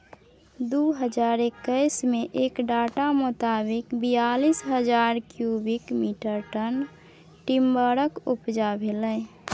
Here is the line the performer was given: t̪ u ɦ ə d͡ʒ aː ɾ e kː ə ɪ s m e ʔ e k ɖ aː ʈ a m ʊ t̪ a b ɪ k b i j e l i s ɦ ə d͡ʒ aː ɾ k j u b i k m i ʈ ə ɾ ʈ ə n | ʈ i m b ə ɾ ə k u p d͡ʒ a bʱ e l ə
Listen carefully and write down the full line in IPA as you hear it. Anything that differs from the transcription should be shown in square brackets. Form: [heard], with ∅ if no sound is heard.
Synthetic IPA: [d̪] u ɦ ə d͡ʒ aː ɾ e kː ə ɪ s m e ʔ e k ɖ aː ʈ a m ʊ t̪ a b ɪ k b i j [a] l i s ɦ ə d͡ʒ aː ɾ k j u b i k m i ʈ ə ɾ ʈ ə n | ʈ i m b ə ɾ ə k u p d͡ʒ a bʱ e l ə